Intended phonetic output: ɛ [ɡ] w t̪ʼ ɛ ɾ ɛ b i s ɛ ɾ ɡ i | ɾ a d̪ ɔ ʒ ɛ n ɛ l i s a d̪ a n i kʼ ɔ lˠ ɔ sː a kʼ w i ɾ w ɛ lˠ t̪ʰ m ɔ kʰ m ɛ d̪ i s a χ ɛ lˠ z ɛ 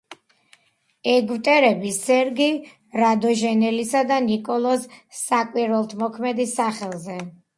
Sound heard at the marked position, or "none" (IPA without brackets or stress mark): ɡ